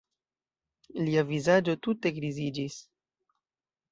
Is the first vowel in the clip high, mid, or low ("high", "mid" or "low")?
high